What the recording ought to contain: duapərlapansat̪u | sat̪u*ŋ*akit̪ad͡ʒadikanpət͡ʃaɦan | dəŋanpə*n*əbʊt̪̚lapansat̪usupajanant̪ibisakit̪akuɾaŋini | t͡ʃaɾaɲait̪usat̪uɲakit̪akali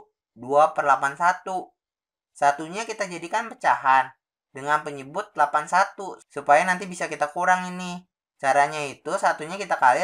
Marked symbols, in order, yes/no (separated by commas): no, no